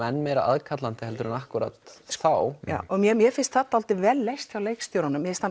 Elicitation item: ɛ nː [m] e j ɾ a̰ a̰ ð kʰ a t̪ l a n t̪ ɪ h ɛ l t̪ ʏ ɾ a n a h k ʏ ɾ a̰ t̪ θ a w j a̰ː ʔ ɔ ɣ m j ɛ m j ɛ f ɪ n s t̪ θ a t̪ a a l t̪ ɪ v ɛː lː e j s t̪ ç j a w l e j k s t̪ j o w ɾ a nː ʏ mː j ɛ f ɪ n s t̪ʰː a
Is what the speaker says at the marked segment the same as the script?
yes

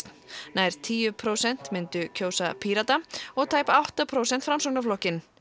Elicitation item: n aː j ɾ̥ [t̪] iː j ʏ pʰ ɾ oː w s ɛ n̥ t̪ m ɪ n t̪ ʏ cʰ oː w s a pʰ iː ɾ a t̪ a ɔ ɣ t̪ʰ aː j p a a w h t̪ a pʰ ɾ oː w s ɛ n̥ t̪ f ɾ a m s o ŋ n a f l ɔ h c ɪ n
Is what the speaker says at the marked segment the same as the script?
no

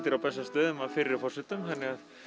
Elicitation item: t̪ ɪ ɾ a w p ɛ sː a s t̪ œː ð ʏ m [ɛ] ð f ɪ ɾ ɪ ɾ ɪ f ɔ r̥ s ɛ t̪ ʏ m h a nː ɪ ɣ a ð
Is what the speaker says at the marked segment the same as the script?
no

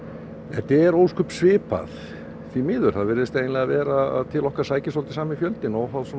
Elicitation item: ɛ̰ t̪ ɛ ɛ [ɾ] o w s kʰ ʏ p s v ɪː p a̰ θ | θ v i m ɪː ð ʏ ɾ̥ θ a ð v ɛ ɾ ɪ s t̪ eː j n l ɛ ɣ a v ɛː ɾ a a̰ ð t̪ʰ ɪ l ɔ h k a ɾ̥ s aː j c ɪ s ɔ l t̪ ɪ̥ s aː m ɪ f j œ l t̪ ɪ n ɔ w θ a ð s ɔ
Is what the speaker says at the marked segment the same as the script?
yes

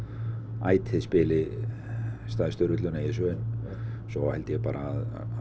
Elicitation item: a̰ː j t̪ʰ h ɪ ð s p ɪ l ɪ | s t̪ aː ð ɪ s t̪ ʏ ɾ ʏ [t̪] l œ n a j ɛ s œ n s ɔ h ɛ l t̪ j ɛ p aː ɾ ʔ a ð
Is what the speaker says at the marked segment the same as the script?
yes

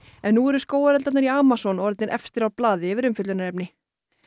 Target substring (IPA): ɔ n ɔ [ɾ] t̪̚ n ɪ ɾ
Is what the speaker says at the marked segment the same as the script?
yes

